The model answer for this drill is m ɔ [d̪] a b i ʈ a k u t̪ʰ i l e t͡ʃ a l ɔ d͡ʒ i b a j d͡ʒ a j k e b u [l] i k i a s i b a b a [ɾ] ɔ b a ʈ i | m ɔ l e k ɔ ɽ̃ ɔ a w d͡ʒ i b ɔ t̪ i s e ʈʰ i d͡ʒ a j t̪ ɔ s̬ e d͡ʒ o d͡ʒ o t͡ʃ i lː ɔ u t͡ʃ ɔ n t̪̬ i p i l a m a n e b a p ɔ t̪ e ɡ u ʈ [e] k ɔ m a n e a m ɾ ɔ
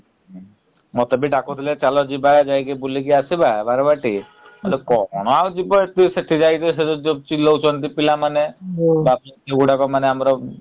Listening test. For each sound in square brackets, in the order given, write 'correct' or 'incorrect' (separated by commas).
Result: incorrect, correct, correct, incorrect